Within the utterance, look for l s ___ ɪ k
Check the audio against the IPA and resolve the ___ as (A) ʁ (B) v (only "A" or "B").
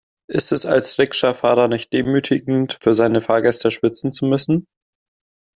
A